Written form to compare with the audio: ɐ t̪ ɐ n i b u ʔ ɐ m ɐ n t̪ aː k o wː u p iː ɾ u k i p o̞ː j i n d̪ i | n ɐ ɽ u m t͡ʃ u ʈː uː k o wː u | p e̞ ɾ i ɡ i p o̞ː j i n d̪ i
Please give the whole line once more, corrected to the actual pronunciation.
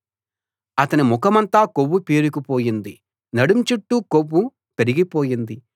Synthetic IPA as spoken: ɐ t̪ ɐ n i m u k ɐ m ɐ n t̪ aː k o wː u p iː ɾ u k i p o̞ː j i n d̪ i | n ɐ ɽ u m t͡ʃ u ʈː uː k o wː u | p e̞ ɾ i ɡ i p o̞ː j i n d̪ i